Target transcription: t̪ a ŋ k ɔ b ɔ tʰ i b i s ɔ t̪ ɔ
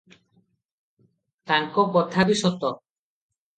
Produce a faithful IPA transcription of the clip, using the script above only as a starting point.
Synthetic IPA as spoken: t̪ a ŋ k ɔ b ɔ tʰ a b i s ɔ t̪ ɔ